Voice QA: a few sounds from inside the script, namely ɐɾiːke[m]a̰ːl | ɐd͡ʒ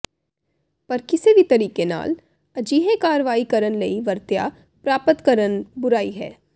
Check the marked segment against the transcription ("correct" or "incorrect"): incorrect